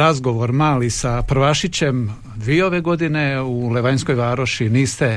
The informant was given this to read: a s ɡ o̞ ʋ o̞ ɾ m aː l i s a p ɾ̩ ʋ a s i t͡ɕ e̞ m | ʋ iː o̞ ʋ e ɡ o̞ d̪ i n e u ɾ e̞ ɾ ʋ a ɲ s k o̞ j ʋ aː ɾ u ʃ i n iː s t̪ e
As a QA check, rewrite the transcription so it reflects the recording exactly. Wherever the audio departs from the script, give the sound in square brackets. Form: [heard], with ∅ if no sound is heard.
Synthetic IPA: a [z] ɡ o̞ ʋ o̞ ɾ m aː l i s a p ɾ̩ ʋ a [ʃ] i t͡ɕ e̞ m | ʋ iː o̞ ʋ e ɡ o̞ d̪ i n e u [l] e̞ [∅] ʋ a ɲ s k o̞ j ʋ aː ɾ [o] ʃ i n iː s t̪ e